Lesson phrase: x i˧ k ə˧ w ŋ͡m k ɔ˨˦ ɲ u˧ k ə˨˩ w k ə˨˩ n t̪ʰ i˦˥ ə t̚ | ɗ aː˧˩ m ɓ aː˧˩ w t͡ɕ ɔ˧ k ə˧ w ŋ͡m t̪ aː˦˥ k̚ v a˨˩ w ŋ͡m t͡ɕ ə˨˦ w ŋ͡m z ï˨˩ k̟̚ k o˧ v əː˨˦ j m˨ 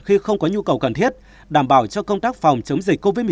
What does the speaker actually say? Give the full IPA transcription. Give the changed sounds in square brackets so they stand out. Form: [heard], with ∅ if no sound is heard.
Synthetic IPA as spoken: x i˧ [x] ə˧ w ŋ͡m k ɔ˨˦ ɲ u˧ k ə˨˩ w k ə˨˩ n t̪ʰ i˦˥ ə t̚ | ɗ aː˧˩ m ɓ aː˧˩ w t͡ɕ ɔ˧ k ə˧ w ŋ͡m t̪ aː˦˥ k̚ [f] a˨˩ w ŋ͡m t͡ɕ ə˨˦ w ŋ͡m z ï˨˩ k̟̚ k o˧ v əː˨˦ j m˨

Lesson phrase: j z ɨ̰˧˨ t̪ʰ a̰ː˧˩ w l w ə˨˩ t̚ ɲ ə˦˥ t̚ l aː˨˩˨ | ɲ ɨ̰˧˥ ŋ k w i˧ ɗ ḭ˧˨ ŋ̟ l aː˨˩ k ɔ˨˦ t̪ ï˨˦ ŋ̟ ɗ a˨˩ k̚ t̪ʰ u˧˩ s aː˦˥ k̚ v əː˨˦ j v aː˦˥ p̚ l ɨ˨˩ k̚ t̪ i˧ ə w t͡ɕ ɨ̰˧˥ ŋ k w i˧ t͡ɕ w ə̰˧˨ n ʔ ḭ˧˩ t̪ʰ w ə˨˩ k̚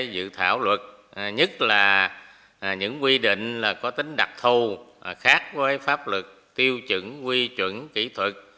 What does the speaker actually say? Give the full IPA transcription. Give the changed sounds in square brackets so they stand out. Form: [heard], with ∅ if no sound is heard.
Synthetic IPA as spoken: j z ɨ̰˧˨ t̪ʰ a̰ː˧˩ w l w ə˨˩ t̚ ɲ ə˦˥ t̚ l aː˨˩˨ | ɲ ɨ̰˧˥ ŋ k w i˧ ɗ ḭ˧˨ ŋ̟ l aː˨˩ k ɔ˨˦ t̪ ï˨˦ ŋ̟ ɗ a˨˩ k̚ t̪ʰ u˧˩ [x] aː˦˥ k̚ v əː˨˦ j [f] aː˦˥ p̚ l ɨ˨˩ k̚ t̪ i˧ ə w t͡ɕ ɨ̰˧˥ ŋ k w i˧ t͡ɕ w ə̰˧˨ n [k] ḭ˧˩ t̪ʰ w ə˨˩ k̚

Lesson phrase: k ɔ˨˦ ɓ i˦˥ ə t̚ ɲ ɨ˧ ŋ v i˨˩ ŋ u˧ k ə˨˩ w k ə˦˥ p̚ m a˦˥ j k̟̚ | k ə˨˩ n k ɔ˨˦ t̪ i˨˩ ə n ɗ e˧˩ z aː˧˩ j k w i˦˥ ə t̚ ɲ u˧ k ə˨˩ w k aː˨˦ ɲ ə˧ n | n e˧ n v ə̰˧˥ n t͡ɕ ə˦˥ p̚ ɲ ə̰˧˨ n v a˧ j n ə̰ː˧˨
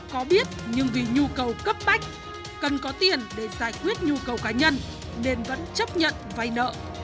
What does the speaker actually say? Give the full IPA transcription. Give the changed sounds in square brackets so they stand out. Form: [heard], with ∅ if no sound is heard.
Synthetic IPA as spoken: k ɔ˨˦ ɓ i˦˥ ə t̚ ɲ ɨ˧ ŋ v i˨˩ [ɲ] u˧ k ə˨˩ w k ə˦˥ p̚ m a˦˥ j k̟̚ | k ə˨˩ n k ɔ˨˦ t̪ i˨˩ ə n ɗ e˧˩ z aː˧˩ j k w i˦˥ ə t̚ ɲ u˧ k ə˨˩ w k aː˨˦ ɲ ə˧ n | n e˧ n v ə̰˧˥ n t͡ɕ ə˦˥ p̚ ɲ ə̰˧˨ n v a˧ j n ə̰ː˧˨

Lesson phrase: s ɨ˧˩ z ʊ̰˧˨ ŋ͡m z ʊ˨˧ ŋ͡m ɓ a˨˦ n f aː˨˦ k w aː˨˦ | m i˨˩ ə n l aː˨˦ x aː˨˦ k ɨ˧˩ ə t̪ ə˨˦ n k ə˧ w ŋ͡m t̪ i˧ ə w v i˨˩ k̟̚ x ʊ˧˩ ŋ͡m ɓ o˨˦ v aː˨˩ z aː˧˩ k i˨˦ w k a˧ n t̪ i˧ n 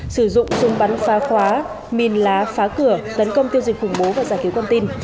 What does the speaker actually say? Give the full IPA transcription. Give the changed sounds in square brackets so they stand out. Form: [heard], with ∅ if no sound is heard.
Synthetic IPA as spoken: s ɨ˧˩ z ʊ̰˧˨ ŋ͡m z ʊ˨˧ ŋ͡m ɓ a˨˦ n f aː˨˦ [x] w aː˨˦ | m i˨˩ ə n l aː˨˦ [f] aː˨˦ k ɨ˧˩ ə t̪ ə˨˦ n k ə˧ w ŋ͡m t̪ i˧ ə w [z] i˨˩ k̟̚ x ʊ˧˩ ŋ͡m ɓ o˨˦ v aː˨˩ z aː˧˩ k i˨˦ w k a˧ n t̪ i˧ n

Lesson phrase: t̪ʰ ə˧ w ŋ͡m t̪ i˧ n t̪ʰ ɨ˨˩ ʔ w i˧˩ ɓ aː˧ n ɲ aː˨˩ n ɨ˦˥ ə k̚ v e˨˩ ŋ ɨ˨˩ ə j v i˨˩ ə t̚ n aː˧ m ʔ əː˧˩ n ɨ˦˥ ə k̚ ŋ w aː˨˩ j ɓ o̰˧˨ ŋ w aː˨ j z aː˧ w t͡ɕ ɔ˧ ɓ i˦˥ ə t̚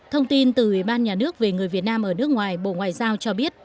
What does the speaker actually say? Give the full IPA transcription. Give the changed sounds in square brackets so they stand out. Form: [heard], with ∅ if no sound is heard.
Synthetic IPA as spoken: t̪ʰ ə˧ w ŋ͡m t̪ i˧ n [t̪] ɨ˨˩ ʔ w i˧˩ ɓ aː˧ n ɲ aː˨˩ n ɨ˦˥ ə k̚ v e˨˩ ŋ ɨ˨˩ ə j v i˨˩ ə t̚ n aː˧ m ʔ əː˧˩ n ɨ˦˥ ə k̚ ŋ w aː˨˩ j ɓ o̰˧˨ ŋ w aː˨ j z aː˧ w t͡ɕ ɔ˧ ɓ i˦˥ ə t̚

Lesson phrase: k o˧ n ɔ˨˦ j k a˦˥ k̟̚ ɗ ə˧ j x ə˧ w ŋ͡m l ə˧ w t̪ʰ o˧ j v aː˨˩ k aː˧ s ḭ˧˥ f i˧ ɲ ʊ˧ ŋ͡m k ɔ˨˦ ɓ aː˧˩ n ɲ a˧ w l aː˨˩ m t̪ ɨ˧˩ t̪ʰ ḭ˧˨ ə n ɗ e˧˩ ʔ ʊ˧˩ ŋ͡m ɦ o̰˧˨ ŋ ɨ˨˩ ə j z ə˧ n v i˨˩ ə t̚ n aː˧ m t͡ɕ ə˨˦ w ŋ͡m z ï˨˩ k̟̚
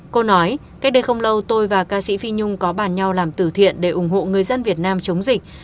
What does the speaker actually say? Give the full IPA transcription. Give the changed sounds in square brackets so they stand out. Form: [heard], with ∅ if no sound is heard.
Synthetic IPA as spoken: k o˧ n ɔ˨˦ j k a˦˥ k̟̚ ɗ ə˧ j x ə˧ w ŋ͡m l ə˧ w [t̪] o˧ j v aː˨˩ k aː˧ s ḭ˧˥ f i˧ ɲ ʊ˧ ŋ͡m k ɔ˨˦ ɓ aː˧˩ n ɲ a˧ w l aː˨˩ m t̪ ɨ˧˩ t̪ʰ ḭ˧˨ ə n ɗ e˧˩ ʔ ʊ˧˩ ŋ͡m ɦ o̰˧˨ ŋ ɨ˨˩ ə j z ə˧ n v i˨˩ ə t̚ n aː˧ m t͡ɕ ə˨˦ w ŋ͡m z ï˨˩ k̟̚

